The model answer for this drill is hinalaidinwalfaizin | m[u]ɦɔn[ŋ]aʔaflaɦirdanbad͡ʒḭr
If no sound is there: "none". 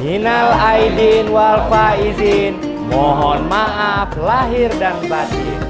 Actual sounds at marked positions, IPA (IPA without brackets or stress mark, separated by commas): ɔ, m